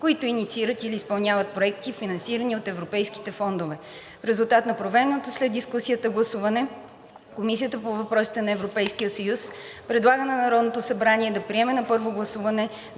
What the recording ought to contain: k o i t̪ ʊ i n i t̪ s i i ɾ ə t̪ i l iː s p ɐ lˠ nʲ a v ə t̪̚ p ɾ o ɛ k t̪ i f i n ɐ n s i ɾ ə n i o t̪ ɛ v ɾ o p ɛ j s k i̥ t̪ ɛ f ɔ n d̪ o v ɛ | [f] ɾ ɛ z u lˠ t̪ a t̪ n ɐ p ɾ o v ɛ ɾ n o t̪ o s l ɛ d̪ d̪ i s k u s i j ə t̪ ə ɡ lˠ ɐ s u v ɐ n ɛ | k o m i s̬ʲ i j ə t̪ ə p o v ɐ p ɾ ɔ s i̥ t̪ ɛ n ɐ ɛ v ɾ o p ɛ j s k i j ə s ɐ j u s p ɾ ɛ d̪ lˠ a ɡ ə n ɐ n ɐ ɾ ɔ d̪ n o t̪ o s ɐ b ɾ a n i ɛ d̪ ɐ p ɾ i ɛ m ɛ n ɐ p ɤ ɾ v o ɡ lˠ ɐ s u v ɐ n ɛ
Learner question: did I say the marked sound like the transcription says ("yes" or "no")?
yes